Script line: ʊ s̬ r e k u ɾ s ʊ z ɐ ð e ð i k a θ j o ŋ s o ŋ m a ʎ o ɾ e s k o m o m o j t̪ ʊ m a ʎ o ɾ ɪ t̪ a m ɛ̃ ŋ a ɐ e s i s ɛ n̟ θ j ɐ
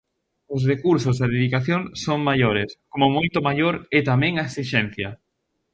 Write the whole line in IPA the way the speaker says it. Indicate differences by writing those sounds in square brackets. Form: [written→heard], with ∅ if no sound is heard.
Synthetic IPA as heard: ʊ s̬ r e k u ɾ s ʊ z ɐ ð e ð i k a θ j o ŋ s o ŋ m a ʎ o ɾ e s k o m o m o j t̪ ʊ m a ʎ o ɾ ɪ t̪ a m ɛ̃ ŋ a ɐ e s i [s→ʃ] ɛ n̟ θ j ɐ

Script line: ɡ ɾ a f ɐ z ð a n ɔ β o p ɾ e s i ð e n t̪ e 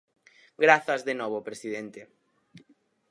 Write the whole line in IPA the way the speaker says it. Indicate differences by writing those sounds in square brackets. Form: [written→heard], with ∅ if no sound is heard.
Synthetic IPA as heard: ɡ ɾ a [f→θ] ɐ z ð [a→e] n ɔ β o p ɾ e s i ð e n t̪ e

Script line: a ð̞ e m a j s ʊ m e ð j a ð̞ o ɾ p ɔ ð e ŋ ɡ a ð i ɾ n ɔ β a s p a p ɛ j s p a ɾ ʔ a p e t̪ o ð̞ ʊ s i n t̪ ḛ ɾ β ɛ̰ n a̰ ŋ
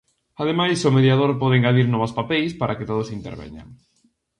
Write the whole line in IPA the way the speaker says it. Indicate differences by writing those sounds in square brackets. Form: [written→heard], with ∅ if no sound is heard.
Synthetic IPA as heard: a ð̞ e m a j s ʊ m e ð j a ð̞ o ɾ p ɔ ð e ŋ ɡ a ð i ɾ n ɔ β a s p a p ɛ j s p a ɾ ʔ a [p→k] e t̪ o ð̞ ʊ s i n t̪ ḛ ɾ β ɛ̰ [n→ɲ] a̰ ŋ

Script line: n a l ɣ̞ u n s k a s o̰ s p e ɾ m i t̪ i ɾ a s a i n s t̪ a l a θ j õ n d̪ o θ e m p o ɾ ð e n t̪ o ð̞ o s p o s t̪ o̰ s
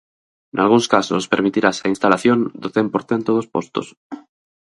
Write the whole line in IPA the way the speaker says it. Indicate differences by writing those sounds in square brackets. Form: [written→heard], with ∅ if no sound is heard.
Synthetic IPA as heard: n a l ɣ̞ u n s k a s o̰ s p e ɾ m i t̪ i ɾ a s a i n s t̪ a l a θ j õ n d̪ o θ e m p o ɾ [ð→θ] e n t̪ o ð̞ o s p o s t̪ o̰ s

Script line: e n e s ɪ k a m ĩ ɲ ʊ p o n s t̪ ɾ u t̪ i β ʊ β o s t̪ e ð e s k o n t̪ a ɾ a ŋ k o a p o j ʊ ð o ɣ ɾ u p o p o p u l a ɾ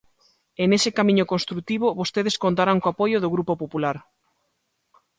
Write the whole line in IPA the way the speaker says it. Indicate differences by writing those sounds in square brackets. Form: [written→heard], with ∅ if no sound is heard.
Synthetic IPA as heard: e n e s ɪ k a m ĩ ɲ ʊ [p→k] o n s t̪ ɾ u t̪ i β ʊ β o s t̪ e ð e s k o n t̪ a ɾ a ŋ k o a p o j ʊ ð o ɣ ɾ u p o p o p u l a ɾ

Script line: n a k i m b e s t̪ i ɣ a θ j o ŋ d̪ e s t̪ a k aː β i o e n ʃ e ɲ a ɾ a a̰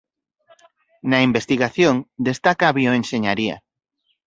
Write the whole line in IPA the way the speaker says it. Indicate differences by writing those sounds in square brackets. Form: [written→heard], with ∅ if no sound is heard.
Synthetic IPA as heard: n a [k→∅] i m b e s t̪ i ɣ a θ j o ŋ d̪ e s t̪ a k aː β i o e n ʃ e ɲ a ɾ [a→i] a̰

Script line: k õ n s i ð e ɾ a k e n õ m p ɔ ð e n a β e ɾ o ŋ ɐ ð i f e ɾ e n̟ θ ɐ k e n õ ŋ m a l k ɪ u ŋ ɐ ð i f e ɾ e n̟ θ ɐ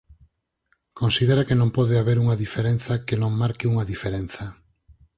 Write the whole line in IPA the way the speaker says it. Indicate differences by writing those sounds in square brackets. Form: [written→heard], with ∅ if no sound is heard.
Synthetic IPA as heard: k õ n s i ð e ɾ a k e n õ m p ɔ ð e [n→∅] a β e ɾ [o→u] ŋ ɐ ð i f e ɾ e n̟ θ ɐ k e n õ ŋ m a [l→ɾ] k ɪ u ŋ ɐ ð i f e ɾ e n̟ θ ɐ

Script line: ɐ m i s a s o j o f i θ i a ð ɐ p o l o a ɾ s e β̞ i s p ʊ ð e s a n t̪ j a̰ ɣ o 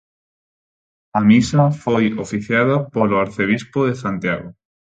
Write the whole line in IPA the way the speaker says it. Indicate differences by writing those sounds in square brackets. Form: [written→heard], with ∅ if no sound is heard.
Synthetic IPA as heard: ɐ m i s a [s→f] o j o f i θ [i→j] a ð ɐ p o l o a ɾ [s→θ] e β̞ i s p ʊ ð e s a n t̪ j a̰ ɣ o

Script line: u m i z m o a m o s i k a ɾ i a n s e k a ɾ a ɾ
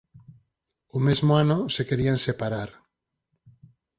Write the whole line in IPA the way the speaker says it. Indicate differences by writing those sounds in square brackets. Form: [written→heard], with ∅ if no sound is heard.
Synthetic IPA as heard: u m [i→e] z m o a [m→n] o s [i→e] k [a→e] ɾ i a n s e [k→p] a ɾ a ɾ

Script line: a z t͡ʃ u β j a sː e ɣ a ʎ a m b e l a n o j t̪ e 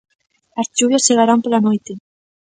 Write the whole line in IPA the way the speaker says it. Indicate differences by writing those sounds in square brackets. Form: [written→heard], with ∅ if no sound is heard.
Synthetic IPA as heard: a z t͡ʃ u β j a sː e ɣ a [ʎ→ɾ] a m [b→p] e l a n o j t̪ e

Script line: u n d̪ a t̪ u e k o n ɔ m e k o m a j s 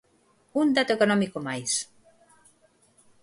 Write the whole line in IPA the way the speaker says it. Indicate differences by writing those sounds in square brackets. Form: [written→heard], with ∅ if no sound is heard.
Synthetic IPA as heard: u n d̪ a t̪ [u→o] e k o n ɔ m [e→i] k o m a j s

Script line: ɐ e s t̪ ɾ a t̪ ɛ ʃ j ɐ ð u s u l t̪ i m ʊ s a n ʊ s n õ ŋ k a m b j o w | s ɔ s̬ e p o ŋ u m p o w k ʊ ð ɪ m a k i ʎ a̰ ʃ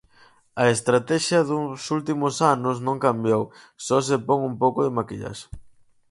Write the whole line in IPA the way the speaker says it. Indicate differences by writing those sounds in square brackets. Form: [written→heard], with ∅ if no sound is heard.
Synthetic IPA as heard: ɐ e s t̪ ɾ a t̪ ɛ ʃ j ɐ ð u s u l t̪ i m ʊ s a n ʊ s n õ ŋ k a m b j o w | s ɔ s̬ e p o ŋ u m p o w k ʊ ð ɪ m a k i ʎ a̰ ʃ

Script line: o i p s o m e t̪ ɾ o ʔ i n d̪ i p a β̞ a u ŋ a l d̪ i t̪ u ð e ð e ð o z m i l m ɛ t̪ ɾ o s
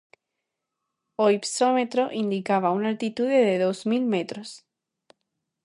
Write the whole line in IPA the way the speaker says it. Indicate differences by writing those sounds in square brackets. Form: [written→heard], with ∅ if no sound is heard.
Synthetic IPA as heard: o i p s o m e t̪ ɾ o ʔ i n d̪ i [p→k] a β̞ a u [ŋ→n] a l [d̪→t̪] i t̪ u ð e ð e ð o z m i l m [ɛ→e] t̪ ɾ o s

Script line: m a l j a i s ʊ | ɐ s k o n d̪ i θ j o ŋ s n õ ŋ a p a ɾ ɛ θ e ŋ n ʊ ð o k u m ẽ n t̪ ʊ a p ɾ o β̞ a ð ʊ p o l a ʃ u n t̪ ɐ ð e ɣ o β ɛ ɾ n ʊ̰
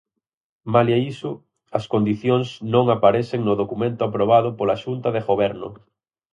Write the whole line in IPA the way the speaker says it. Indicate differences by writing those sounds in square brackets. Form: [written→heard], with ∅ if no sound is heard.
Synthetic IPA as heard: m a l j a i s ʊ | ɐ s k o n d̪ i θ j o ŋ s n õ ŋ a p a ɾ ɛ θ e ŋ n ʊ ð o k u m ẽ n t̪ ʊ a p ɾ o β̞ a ð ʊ p o l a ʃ u n t̪ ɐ ð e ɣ o β ɛ ɾ n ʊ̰

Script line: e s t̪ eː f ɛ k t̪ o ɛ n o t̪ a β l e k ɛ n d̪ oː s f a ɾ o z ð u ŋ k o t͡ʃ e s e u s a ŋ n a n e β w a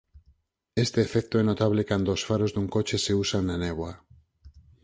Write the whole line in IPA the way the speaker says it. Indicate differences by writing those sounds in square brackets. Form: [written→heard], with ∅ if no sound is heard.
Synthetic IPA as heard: e s t̪ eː f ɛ k t̪ o ɛ n o t̪ a β l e k [ɛ→a] n d̪ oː s f a ɾ o z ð u ŋ k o t͡ʃ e s e u s a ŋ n a n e β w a

